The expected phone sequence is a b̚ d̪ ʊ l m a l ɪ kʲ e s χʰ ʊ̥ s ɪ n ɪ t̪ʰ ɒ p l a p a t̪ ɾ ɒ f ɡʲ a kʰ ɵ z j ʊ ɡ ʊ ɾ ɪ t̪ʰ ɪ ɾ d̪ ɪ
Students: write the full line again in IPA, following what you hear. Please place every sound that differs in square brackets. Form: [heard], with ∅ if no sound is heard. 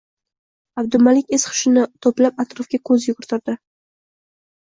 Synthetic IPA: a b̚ d̪ ʊ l m a l ɪ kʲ e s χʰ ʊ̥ [ʃ] ɪ n ɪ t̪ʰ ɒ p l a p a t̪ ɾ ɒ f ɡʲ a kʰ ɵ z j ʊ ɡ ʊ ɾ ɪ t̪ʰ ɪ ɾ d̪ ɪ